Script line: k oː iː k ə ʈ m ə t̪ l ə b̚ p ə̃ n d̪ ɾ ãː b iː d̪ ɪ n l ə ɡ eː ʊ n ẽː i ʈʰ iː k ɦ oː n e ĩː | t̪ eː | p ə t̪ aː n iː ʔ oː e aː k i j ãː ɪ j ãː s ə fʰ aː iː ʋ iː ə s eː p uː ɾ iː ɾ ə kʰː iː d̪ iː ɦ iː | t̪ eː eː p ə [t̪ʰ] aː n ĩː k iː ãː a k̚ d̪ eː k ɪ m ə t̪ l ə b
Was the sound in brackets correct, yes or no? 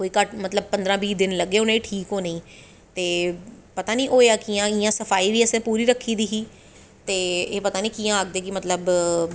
no